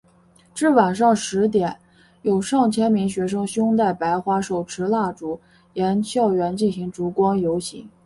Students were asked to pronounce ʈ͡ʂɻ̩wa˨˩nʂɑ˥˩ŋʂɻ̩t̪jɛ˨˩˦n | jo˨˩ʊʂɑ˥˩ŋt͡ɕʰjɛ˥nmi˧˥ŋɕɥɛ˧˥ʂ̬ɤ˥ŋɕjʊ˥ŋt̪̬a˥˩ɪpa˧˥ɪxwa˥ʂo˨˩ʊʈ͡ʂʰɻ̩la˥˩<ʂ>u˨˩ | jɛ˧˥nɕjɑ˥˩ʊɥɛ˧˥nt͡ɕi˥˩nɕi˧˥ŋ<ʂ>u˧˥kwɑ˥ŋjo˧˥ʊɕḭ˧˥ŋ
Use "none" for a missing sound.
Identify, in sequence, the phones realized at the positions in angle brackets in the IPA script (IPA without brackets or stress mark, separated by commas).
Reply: ʈ͡ʂ, ʈ͡ʂ